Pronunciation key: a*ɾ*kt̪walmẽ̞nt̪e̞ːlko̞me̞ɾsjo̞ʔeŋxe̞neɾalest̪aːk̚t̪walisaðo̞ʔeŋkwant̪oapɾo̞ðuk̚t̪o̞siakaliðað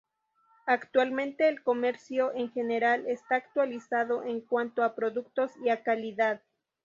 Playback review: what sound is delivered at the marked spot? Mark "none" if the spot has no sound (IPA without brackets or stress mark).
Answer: none